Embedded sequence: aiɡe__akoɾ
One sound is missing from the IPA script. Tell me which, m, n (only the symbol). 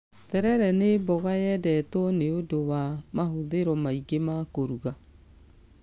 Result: m